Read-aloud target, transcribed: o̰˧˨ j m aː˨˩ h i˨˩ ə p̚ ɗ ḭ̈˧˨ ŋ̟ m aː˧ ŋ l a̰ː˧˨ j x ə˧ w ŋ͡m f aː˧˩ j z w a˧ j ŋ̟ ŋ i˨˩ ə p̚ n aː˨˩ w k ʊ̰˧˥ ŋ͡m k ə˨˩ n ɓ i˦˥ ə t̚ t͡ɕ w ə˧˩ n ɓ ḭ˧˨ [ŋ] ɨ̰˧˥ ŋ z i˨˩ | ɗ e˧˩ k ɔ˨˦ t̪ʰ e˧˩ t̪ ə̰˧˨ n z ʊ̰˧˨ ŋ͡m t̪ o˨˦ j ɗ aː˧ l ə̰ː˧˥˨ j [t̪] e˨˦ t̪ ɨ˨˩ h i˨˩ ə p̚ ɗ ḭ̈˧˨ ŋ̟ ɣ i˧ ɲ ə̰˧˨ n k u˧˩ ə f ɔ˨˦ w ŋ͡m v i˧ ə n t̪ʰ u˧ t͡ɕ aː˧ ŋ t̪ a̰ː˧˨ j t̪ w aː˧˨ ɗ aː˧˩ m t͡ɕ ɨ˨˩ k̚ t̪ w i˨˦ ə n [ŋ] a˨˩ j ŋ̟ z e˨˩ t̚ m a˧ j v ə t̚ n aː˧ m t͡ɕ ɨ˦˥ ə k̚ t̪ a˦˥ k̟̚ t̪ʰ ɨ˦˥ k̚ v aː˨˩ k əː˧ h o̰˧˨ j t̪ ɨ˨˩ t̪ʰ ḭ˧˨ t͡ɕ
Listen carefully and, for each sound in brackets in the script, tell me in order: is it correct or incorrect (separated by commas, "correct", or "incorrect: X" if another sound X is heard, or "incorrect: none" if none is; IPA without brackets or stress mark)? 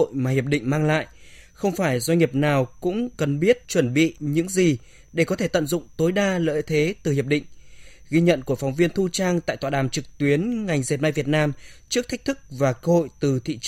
incorrect: ɲ, incorrect: t̪ʰ, correct